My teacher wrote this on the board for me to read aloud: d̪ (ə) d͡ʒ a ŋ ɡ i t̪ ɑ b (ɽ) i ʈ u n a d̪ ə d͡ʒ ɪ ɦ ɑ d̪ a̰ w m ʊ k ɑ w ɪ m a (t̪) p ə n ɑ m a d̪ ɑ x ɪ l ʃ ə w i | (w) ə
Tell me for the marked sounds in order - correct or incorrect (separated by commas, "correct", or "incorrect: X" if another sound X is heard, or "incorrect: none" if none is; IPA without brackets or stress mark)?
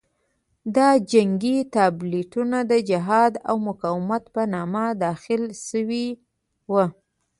incorrect: ɑ, incorrect: l, correct, correct